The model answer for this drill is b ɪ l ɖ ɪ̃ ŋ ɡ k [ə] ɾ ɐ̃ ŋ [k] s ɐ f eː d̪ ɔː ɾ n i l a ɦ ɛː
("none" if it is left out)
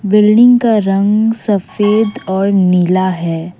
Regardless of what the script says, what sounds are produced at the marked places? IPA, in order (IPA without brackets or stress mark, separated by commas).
a, ɡ